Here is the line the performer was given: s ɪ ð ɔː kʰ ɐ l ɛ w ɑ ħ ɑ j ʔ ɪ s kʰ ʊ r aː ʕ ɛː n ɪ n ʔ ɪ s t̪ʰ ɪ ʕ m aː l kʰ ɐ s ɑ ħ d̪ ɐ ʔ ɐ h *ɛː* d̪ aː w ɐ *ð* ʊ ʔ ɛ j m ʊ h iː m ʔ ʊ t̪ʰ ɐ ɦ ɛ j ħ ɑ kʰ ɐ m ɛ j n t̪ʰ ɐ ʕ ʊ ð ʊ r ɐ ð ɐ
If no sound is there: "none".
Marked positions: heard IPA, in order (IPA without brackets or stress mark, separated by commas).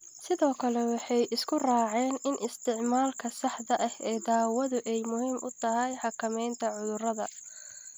ɛː, ð